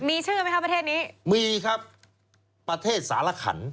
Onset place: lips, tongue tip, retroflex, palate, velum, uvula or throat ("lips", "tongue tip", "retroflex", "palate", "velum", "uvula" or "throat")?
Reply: lips